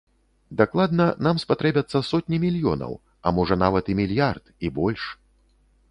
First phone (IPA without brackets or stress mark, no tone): d̪